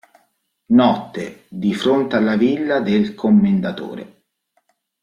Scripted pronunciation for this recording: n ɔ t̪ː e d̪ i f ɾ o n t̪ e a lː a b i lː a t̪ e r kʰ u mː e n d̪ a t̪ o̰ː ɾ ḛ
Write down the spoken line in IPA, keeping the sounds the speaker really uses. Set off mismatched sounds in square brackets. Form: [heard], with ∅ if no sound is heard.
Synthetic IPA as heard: n ɔ t̪ː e d̪ i f ɾ o n t̪ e a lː a [v] i lː a [d̪] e [l] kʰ [o] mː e n d̪ a t̪ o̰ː ɾ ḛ

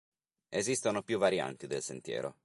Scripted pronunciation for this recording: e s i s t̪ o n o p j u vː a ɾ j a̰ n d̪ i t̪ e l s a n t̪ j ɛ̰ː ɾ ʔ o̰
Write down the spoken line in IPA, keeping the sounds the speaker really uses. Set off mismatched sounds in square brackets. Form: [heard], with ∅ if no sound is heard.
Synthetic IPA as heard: e [z] i s t̪ o n o p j u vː a ɾ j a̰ n [t̪] i [d̪] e l s [e] n t̪ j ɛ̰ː ɾ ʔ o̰

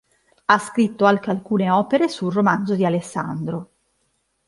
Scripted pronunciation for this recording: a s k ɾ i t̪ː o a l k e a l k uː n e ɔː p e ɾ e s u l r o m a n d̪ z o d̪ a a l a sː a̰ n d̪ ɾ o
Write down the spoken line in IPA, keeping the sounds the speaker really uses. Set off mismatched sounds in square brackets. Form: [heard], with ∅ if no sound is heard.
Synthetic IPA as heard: a s k ɾ i t̪ː o a l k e a l k uː n e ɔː p e ɾ e s u l r o m a n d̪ z o d̪ [i] a l [e] sː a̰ n d̪ ɾ o

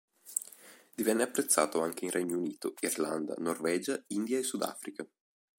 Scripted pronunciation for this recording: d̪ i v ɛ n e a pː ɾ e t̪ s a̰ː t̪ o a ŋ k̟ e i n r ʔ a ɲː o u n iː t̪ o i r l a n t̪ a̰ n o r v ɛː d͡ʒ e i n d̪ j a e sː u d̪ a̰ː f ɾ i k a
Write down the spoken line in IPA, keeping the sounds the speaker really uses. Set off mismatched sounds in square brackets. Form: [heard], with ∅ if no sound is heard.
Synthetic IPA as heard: d̪ i v ɛ [nː] e a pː ɾ e t̪ [sː] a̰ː t̪ o a ŋ k̟ e i n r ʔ [ɛ] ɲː o u n iː t̪ o i r l a n [d̪] a̰ n o r v ɛː d͡ʒ [a] i n d̪ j a e sː u d̪ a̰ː f ɾ i k a

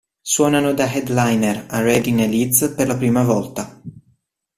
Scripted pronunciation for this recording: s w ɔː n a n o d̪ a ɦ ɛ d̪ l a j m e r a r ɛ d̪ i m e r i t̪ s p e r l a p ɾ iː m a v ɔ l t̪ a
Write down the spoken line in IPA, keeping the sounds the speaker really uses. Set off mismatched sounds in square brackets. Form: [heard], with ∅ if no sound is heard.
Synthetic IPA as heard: s w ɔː n a n o d̪ a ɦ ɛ d̪ l a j [n] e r a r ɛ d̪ i [n] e [l] i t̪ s p e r l a p ɾ iː m a v ɔ l t̪ a

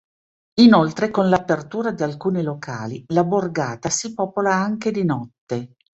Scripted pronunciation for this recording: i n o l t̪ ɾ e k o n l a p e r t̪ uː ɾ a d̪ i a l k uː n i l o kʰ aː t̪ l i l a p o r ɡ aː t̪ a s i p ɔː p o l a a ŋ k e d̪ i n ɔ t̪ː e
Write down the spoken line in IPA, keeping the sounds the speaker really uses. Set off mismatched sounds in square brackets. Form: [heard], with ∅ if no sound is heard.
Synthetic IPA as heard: i n o l t̪ ɾ e k o n l a p e r t̪ uː ɾ a d̪ i a l k uː n i l o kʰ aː [∅] l i l a [b] o r ɡ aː t̪ a s i p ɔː p o l a a ŋ k e d̪ i n ɔ t̪ː e

